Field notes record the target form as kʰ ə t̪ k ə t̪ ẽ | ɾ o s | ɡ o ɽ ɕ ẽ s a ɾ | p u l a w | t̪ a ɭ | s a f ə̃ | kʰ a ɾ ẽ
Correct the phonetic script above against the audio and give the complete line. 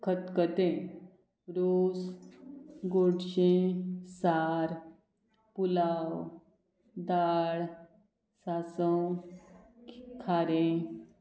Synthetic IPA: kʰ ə t̪ k ə t̪ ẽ | ɾ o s | ɡ o ɽ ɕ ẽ s a ɾ | p u l a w | d̪ a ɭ | s a s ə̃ | kʰ a ɾ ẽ

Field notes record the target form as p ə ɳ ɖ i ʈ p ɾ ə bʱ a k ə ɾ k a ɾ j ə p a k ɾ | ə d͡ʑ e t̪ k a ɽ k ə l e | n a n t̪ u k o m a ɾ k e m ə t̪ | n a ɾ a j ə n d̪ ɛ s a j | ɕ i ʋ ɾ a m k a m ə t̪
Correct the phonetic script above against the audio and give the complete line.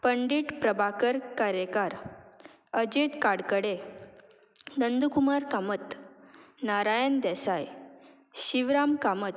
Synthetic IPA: p ə ɳ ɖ i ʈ p ɾ ə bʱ a k ə ɾ k a ɾ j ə k a ɾ | ə d͡ʑ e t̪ k a ɽ k ə ɽ e | n ə n d̪ u k u m a ɾ k a m ə t̪ | n a ɾ a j ə n d̪ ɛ s a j | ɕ i ʋ ɾ a m k a m ə t̪

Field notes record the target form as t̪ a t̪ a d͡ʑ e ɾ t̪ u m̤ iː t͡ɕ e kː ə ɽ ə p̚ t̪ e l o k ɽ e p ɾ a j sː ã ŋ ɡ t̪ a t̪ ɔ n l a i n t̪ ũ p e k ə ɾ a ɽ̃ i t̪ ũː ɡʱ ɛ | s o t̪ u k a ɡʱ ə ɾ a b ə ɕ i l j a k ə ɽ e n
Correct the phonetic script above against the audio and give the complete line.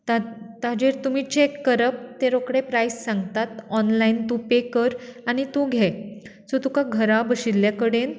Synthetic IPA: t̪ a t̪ a d͡ʑ e ɾ t̪ u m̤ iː t͡ɕ e kː ə ɾ ə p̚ t̪ e ɾ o k ɽ e p ɾ a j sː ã ŋ ɡ t̪ a t̪ ɔ n l a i n t̪ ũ p e k ə ɾ a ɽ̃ i t̪ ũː ɡʱ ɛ | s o t̪ u k a ɡʱ ə ɾ a b ə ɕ i l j a k ə ɽ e n

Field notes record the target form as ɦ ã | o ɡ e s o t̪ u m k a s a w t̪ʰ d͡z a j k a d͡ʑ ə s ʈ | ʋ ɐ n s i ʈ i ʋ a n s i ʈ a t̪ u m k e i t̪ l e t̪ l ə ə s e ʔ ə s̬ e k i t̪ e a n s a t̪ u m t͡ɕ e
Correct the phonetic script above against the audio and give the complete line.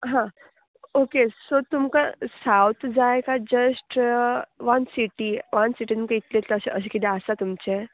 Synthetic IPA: ɦ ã | o k e s o t̪ u m k a s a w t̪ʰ d͡z a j k a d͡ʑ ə s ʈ | ʋ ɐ n s i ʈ i ʋ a n s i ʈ i t̪ u m k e i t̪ l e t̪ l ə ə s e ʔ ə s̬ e k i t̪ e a s a t̪ u m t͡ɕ e

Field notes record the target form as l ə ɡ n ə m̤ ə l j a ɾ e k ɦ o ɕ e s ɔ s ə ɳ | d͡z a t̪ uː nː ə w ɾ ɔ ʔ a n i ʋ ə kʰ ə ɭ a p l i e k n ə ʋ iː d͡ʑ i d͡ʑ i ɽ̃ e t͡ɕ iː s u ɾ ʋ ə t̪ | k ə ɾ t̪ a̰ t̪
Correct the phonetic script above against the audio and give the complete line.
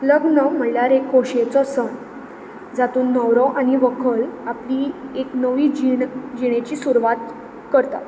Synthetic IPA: l ə ɡ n ə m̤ ə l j a ɾ e k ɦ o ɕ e t͡s ɔ s ə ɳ | d͡z a t̪ uː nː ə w ɾ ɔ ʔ a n i ʋ ə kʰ ə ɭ a p l i e k n ə ʋ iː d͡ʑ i d͡ʑ i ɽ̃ e t͡ɕ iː s u ɾ ʋ a t̪ | k ə ɾ t̪ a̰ t̪

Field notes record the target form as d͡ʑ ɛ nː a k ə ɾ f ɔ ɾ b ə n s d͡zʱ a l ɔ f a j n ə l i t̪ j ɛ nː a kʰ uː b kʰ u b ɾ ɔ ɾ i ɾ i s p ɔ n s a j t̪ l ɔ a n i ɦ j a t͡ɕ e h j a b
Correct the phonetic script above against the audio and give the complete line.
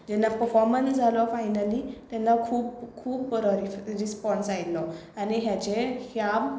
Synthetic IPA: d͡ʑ ɛ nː a p ə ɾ f ɔ ɾ m ə n s d͡zʱ a l ɔ f a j n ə l i t̪ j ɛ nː a kʰ uː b kʰ uː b ɾ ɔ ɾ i ɾ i s p ɔ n s a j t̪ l ɔ a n i ɦ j a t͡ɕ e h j a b

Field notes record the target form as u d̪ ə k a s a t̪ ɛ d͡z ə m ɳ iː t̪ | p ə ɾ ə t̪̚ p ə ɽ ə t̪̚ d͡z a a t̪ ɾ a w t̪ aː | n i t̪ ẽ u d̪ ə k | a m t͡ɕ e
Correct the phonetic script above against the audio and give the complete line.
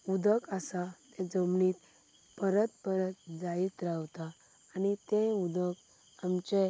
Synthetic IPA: u d̪ ə k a s a t̪ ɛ d͡z ə m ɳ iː t̪ | p ə ɾ ə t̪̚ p ə ɾ ə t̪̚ d͡z a i t̪ ɾ a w t̪ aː | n i t̪ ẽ u d̪ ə k | a m t͡ɕ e

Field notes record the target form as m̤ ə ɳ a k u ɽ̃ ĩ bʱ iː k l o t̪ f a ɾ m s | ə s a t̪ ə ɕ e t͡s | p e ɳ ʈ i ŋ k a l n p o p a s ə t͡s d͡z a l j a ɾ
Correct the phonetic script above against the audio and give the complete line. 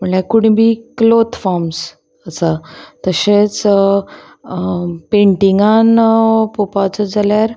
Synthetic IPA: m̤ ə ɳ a k u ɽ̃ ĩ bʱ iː k l o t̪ f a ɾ m s | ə s a t̪ ə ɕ e t͡s | p e ɳ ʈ i ŋ ɡ a n p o p a t͡s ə d͡z a l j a ɾ

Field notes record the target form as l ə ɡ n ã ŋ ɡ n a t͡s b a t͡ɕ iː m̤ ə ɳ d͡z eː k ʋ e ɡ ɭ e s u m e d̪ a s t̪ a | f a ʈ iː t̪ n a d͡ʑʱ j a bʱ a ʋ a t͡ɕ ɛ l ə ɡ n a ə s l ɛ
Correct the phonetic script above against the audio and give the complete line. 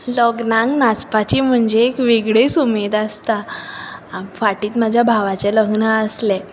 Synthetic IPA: l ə ɡ n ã ŋ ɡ n a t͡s p a t͡ɕ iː m̤ ə ɳ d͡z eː k ʋ e ɡ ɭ e s u m e d̪ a s t̪ a | f a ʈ iː t̪ m a d͡ʑʱ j a bʱ a ʋ a t͡ɕ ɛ l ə ɡ n a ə s l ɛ

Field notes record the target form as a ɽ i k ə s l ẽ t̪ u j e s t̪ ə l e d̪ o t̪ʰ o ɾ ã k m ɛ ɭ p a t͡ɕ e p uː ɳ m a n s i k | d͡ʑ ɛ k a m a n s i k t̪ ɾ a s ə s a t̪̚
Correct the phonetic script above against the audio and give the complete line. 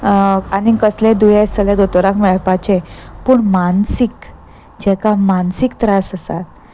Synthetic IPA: a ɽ i k ə s l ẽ d̪ u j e s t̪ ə l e d̪ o t̪ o ɾ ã k m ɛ ɭ p a t͡ɕ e p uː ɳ m a n s i k | d͡ʑ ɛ k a m a n s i k t̪ ɾ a s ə s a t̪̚

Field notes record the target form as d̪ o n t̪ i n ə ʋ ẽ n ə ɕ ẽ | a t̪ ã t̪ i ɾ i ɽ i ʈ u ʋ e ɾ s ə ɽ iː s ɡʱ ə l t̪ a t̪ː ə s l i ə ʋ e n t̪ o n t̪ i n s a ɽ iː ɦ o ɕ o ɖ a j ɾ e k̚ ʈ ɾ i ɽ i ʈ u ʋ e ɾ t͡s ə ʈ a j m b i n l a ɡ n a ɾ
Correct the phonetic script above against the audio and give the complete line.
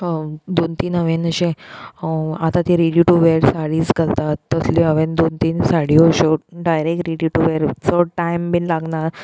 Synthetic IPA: d̪ o n t̪ i n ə ʋ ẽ n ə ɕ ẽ | a t̪ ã t̪ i ɾ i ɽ i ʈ u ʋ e ɾ s a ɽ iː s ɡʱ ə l t̪ a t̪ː ə s l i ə ʋ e n d̪ o n t̪ i n s a ɽ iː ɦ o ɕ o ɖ a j ɾ e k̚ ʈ ɾ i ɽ i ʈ u ʋ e ɾ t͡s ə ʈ a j m b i n l a ɡ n a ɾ

